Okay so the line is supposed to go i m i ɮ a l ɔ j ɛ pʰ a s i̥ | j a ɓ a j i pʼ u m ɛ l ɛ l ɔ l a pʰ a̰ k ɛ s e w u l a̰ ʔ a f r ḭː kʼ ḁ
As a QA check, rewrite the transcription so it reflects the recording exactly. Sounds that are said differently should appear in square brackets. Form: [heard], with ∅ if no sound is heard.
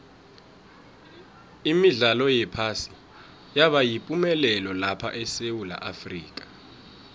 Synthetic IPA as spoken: i m i ɮ a l ɔ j ɛ pʰ a s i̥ | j a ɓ a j i pʼ u m ɛ l ɛ l ɔ l a pʰ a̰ [ʔ] ɛ s e w u l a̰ ʔ a f r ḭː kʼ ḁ